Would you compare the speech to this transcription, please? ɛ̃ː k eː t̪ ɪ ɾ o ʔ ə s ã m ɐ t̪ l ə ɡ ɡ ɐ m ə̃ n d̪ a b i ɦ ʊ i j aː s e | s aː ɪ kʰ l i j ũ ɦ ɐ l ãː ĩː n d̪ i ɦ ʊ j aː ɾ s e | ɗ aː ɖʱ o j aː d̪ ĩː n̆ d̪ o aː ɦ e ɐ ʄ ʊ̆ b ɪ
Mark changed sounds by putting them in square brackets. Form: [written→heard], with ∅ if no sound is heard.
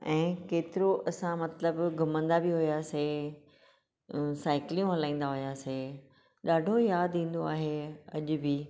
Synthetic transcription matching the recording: ɛ̃ː k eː t̪ ɪ ɾ o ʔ [ə→ɐ] s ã m ɐ t̪ l ə [ɡ→b] ɡ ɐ m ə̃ n d̪ a b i ɦ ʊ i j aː s e | s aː ɪ [kʰ→k] l i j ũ ɦ ɐ l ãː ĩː n d̪ [i→a] ɦ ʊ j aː [ɾ→∅] s e | ɗ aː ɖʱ o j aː d̪ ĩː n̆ d̪ o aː ɦ e ɐ ʄ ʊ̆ b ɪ